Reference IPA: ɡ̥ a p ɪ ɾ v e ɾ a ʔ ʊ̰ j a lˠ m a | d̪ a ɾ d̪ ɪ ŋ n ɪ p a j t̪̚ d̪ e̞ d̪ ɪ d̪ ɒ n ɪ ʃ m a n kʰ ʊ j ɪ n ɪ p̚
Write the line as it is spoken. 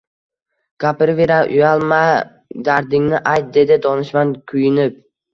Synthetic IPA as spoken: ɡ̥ a p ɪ ɾ v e ɾ a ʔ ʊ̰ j a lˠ m a | d̪ a ɾ d̪ ɪ ŋ n ɪ ʔ a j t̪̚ d̪ e̞ d̪ ɪ d̪ ɒ n ɪ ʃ m a n kʰ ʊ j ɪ n ɪ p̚

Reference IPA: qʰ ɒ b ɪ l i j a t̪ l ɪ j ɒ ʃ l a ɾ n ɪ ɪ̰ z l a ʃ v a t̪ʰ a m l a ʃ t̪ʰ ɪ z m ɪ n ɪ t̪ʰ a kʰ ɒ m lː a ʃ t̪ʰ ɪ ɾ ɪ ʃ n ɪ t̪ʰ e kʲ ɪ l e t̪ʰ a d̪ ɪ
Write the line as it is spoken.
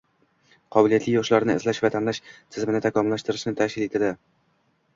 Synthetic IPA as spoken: qʰ ɒ b ɪ l i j a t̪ l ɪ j ɒ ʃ l a ɾ n ɪ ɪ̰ z l a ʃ v a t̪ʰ a m l a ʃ t̪ʰ ɪ z m ɪ n ɪ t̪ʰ a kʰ ɒ m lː a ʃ t̪ ɪ ɾ ɪ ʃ n ɪ t̪ʰ a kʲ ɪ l e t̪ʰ a d̪ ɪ

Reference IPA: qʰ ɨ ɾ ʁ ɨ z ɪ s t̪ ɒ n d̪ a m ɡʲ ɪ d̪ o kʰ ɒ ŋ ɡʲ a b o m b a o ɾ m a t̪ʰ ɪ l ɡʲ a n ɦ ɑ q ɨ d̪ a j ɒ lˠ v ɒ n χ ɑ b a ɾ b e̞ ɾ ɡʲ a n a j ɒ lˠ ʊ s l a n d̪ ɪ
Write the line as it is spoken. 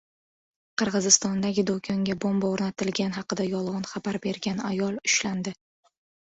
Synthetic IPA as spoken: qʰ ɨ ɾ ʁ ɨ z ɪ s t̪ ɒ n d̪ a ɡʲ ɪ d̪ o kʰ ɒ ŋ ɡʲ a b o m b a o ɾ n a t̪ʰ ɪ l ɡʲ a n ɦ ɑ q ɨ d̪ a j ɒ lˠ ʁ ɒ n χ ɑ b a ɾ b e̞ ɾ ɡʲ a n a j ɒ lˠ ʊ ʃ l a n d̪ ɪ

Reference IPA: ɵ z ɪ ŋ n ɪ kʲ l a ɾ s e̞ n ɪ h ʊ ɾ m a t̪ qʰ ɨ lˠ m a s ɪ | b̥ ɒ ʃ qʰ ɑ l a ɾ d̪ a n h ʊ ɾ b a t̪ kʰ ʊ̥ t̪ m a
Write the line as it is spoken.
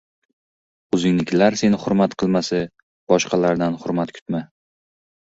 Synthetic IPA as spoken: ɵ z ɪ ŋ n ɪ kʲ l a ɾ s e̞ n ɪ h ʊ ɾ m a t̪ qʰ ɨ lˠ m a s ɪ | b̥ ɒ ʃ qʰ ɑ l a ɾ d̪ a n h ʊ ɾ m a t̪ kʰ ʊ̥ t̪ m a

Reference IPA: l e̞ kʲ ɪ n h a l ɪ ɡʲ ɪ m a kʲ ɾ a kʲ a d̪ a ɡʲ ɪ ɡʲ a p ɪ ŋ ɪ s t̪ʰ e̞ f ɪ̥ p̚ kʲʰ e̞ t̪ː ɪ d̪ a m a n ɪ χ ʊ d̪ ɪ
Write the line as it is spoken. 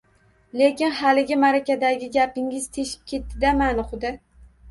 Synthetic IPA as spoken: l e̞ kʲ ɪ n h a l ɪ ɡʲ ɪ m a ɾ a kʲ a d̪ a ɡʲ ɪ ɡʲ a p ɪ ŋ ɪ z t̪ʰ e̞ ʃ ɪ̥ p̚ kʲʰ e̞ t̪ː ɪ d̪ a m a n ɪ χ ʊ d̪ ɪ

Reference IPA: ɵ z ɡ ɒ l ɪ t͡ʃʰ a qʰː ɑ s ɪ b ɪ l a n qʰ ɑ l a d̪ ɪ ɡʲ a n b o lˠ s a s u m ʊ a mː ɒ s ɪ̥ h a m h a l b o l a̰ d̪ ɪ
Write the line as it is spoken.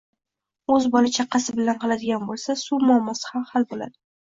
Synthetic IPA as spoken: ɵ z b ɒ l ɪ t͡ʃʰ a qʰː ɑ s ɪ b ɪ l a n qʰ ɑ l a d̪ ɪ ɡʲ a n b o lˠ s a s u m ʊ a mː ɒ s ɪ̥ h a m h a l b o l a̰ d̪ ɪ

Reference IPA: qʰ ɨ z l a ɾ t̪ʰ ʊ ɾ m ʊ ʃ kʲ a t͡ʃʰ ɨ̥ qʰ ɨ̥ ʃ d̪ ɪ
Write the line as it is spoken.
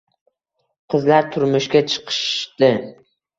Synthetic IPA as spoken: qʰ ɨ z l a ɾ t̪ʰ ʊ ɾ m ʊ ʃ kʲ a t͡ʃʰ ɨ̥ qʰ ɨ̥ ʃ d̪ ɪ

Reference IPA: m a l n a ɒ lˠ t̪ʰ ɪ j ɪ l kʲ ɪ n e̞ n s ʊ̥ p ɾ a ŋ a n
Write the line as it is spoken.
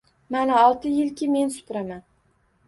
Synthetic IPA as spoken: m a n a ɒ lˠ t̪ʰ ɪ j ɪ l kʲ ɪ m e̞ n s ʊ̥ p ɾ a m a n

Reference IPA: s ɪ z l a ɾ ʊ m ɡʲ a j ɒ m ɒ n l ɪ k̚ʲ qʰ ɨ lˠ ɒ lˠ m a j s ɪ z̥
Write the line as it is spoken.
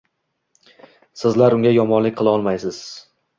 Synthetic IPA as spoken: s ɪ z l a ɾ ʊ ŋ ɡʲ a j ɒ m ɒ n l ɪ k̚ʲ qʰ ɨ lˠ ɒ lˠ m a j s ɪ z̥

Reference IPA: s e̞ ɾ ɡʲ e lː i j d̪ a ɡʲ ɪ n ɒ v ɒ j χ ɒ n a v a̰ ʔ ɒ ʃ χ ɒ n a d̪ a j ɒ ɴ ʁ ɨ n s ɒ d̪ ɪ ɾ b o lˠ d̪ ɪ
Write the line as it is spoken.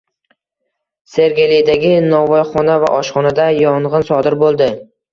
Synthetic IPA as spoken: s e̞ ɾ ɡʲ e l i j d̪ a ɡʲ ɪ n ɒ v ɒ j χ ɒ n a v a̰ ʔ ɒ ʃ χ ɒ n a d̪ a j ɒ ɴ ʁ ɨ n s ɒ d̪ ɪ ɾ b o lˠ d̪ ɪ

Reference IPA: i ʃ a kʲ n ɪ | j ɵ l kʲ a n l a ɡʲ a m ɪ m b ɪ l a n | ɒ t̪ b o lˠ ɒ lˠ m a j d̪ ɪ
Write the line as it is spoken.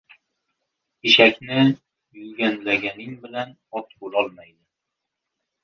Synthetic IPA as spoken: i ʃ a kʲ n ɪ | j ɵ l ɡʲ a n l a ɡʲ a n ɪ ŋ b ɪ l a n | ɒ t̪ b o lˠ ɒ lˠ m a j d̪ ɪ

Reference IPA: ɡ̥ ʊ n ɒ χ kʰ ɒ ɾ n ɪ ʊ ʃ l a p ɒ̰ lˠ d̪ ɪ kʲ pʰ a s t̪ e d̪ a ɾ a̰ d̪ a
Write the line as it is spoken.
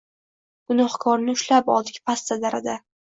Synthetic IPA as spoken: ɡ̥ ʊ n ɒ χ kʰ ɒ ɾ n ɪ ʊ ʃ l a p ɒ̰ lˠ d̪ ɪ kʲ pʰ a s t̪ a d̪ a ɾ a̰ d̪ a

